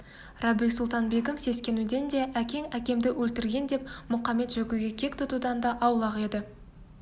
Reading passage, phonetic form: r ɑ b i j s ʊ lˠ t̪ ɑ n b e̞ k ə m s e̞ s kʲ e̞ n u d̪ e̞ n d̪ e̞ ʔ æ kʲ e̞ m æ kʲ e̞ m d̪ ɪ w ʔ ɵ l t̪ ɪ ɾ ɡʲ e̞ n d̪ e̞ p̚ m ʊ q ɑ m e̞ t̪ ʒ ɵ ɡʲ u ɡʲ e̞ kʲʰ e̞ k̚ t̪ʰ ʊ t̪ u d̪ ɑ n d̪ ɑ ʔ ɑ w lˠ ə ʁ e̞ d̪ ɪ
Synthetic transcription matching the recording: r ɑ b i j s ʊ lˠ t̪ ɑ n b e̞ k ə m s e̞ s kʲ e̞ n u d̪ e̞ n d̪ e̞ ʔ æ kʲ e̞ ŋ æ kʲ e̞ m d̪ ɪ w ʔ ɵ l t̪ ɪ ɾ ɡʲ e̞ n d̪ e̞ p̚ m ʊ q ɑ m e̞ t̪ ʒ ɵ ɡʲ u ɡʲ e̞ kʲʰ e̞ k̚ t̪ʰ ʊ t̪ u d̪ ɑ n d̪ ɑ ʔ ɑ w lˠ ɑ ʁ e̞ d̪ ɪ